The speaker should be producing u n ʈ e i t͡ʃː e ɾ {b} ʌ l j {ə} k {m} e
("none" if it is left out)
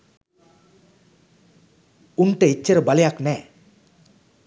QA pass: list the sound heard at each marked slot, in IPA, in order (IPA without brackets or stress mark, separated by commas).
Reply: b, a, n